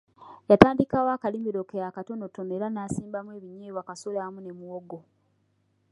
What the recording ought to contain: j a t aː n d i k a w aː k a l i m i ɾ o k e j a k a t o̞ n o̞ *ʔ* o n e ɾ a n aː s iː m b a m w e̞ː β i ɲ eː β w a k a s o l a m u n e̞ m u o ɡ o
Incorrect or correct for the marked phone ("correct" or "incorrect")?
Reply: incorrect